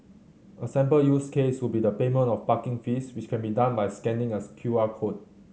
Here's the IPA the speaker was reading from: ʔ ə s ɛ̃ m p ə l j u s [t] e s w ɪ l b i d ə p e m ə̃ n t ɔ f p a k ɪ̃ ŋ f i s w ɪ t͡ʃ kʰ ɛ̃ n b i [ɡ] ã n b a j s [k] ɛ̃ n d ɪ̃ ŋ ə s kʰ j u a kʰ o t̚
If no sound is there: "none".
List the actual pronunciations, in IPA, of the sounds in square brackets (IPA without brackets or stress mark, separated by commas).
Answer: k, d, k